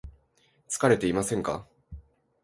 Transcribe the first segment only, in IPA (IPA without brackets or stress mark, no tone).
t͡s